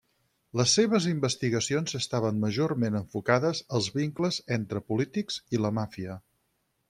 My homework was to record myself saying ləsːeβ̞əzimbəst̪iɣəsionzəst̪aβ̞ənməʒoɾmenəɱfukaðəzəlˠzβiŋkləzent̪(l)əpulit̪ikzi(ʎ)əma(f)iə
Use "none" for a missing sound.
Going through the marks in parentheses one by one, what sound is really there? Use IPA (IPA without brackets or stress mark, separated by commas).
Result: ɾ, l, f